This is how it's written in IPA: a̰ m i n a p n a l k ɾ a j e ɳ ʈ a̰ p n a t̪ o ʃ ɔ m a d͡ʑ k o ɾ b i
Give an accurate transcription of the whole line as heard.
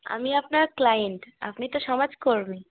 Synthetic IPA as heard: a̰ m i a p n a ɾ k l a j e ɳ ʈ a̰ p n i t̪ o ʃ ɔ m a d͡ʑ k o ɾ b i